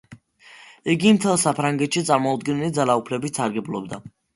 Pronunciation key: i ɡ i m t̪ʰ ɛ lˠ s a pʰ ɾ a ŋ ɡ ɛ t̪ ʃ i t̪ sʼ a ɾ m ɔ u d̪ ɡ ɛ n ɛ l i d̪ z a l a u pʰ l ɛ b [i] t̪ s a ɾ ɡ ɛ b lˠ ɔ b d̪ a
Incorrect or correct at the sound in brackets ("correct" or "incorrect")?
correct